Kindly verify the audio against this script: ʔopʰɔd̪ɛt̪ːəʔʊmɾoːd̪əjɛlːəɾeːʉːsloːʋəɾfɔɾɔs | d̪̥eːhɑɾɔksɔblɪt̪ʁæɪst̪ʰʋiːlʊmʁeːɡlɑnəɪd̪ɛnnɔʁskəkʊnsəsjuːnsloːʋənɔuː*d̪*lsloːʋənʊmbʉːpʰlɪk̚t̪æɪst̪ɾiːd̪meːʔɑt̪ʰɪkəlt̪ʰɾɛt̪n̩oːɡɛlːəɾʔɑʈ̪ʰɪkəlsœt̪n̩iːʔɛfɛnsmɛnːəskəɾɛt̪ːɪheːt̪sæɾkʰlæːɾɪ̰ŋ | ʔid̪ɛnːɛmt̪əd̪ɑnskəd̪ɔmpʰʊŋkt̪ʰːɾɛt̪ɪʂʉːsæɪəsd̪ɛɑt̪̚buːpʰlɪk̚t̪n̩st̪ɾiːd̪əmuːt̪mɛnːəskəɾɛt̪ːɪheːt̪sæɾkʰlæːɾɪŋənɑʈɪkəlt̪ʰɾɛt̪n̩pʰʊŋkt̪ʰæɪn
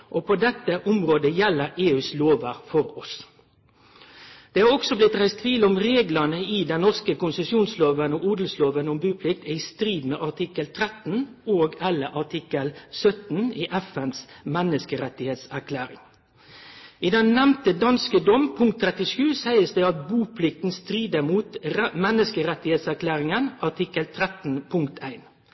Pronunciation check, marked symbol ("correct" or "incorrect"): correct